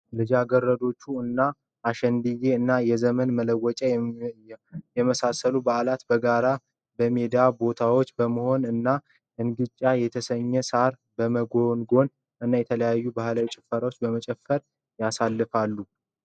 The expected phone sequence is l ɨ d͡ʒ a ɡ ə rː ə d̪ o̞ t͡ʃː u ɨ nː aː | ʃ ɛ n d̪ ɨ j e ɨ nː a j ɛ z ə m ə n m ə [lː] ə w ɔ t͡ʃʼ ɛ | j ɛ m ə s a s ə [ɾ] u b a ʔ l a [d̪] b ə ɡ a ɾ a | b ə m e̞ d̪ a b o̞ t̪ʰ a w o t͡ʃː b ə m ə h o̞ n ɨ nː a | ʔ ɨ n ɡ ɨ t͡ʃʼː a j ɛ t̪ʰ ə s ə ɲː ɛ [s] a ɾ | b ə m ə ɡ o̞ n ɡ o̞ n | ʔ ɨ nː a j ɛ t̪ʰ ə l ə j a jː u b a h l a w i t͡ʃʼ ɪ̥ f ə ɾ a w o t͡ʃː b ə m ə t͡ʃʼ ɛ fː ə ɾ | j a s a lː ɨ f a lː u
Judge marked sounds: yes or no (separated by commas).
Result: no, no, no, yes